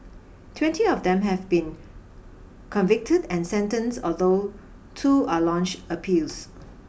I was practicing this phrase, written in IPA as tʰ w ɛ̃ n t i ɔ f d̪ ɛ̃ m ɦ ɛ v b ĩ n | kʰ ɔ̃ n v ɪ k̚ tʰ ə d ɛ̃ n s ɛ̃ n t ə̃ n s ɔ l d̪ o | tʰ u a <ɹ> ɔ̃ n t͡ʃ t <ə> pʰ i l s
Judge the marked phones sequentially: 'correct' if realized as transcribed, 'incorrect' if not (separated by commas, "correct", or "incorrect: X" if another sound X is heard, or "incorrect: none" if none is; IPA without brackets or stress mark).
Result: incorrect: l, correct